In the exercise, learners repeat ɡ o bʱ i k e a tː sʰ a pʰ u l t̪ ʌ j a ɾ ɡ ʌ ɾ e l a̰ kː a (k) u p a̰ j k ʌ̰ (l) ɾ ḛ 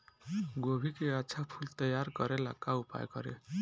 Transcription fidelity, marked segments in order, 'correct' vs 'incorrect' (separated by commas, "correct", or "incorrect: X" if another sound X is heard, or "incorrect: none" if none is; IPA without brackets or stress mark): incorrect: none, incorrect: none